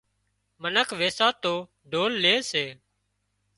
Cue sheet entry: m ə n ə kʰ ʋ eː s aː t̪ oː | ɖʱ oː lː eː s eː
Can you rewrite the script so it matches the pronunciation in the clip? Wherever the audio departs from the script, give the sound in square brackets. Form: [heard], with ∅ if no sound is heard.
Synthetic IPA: m ə n ə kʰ ʋ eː s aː t̪ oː | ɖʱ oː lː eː s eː